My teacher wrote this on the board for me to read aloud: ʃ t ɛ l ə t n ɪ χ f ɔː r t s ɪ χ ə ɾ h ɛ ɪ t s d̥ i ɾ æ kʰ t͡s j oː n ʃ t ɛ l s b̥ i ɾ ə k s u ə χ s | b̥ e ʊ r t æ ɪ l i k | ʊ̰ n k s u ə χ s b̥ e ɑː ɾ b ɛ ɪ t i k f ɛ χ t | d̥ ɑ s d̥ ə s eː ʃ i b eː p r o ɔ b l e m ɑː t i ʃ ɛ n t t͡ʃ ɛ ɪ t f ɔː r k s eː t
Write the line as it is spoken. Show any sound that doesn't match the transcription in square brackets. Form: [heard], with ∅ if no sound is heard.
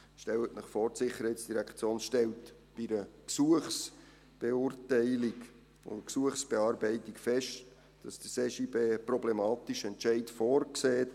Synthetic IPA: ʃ t ɛ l ə t n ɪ χ f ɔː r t s ɪ χ ə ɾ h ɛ ɪ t s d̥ i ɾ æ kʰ t͡s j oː n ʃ t ɛ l [t] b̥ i ɾ ə k s u ə χ s | b̥ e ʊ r t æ ɪ l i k | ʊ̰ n k s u ə χ s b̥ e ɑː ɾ b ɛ ɪ t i k f ɛ [ʃ] t | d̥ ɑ s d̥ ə s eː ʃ i b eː p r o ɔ b l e m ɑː t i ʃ ɛ n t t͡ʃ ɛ ɪ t f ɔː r k s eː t